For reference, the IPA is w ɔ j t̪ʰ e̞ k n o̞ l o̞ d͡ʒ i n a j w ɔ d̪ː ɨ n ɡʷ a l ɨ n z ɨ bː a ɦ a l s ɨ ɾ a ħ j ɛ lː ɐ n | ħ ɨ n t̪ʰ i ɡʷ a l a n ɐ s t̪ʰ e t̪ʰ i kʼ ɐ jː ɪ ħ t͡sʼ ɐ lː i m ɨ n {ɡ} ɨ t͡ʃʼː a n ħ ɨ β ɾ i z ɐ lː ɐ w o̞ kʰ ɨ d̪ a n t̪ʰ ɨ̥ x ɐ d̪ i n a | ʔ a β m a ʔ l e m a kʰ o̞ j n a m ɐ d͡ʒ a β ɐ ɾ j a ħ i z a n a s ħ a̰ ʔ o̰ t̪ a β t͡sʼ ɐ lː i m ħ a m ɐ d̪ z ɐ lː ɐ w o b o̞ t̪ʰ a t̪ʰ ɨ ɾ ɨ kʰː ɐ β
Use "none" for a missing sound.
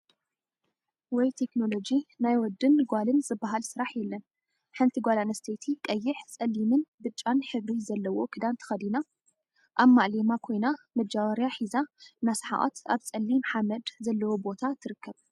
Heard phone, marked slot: b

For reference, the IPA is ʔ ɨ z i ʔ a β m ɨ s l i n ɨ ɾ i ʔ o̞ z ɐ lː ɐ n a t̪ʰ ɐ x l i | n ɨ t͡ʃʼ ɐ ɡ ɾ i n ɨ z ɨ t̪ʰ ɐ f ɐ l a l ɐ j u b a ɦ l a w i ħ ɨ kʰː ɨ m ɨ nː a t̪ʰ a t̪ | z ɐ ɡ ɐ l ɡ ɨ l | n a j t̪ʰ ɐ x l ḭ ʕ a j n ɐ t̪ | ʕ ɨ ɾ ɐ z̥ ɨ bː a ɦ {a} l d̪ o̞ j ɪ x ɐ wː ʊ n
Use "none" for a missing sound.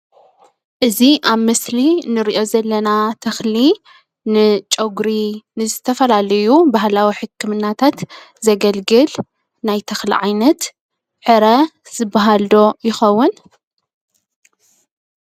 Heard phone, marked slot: a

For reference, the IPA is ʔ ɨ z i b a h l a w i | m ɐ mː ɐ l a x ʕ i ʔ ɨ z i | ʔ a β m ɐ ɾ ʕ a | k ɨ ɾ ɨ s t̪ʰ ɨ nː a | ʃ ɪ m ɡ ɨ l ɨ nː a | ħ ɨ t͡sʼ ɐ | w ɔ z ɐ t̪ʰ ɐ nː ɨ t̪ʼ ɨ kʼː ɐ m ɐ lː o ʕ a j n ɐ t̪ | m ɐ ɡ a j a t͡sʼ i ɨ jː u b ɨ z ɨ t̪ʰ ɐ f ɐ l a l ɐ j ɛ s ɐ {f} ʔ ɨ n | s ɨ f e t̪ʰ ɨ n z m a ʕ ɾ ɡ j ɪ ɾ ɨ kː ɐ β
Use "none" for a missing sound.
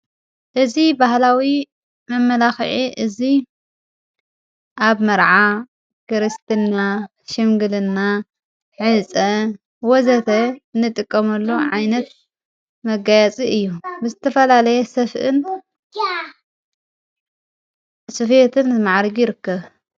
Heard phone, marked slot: f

